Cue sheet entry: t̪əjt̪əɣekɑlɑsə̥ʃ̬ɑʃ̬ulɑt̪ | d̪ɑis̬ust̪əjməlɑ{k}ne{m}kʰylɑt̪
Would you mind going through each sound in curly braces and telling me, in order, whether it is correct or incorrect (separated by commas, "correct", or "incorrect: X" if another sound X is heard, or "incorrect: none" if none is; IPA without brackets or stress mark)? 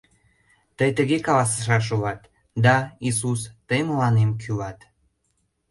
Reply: incorrect: none, correct